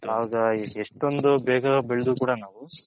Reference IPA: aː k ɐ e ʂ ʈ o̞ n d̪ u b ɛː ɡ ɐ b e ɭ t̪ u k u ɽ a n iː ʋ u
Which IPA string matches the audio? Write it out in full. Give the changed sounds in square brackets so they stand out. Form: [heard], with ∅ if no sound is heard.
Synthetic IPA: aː [ɡ] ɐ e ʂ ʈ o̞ n d̪ u b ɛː ɡ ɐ b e ɭ [d̪] u k [uː] ɽ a n [aː] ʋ u